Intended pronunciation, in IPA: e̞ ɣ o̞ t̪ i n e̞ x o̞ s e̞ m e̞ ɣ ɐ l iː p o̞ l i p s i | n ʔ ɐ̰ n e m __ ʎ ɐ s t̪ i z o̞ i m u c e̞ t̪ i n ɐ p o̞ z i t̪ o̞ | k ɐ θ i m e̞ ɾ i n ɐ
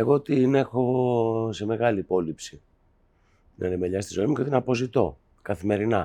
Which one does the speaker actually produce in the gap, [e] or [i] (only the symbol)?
e